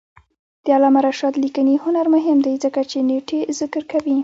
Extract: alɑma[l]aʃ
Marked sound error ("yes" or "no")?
yes